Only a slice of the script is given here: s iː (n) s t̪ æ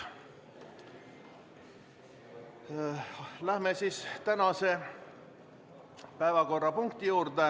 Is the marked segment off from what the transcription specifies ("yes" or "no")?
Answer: yes